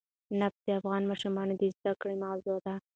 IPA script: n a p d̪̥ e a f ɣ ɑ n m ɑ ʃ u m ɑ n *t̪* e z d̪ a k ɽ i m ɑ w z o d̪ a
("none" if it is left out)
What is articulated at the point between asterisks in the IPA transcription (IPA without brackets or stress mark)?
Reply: d̪